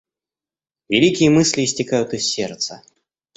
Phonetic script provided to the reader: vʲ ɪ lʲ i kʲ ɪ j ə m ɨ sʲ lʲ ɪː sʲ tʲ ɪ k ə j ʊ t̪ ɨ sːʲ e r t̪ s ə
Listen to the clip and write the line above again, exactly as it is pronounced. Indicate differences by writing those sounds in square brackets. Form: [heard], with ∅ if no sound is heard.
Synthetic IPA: vʲ ɪ lʲ i kʲ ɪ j ə m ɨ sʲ lʲ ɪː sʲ tʲ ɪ k [a] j ʊ t̪ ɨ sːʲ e r t̪ s ə